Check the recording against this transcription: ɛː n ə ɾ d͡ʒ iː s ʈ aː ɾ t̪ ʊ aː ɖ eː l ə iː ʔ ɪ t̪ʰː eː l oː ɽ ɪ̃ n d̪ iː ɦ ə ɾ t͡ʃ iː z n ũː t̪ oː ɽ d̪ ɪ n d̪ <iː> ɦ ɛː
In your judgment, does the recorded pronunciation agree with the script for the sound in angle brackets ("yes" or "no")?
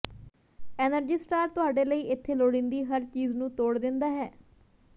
no